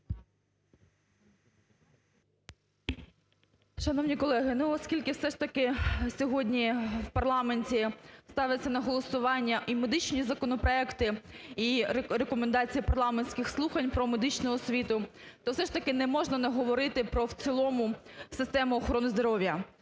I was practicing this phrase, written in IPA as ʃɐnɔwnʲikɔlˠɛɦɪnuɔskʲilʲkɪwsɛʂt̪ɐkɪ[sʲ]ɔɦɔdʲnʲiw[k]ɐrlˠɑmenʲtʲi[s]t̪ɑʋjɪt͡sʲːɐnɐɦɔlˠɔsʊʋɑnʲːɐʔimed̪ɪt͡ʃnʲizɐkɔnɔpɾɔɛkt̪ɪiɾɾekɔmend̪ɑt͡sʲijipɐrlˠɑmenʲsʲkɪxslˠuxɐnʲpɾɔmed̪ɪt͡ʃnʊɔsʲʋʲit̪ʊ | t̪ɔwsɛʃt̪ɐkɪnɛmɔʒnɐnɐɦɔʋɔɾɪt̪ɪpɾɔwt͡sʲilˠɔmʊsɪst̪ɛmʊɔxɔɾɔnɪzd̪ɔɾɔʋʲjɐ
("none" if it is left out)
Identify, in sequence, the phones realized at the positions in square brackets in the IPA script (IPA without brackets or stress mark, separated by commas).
sʲ, p, s